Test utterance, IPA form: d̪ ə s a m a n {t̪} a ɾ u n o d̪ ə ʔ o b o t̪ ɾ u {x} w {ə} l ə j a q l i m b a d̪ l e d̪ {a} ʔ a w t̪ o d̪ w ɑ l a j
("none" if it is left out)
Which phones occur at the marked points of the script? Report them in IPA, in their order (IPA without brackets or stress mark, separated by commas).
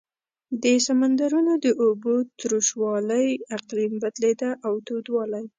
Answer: d̪, ʃ, ɑ, a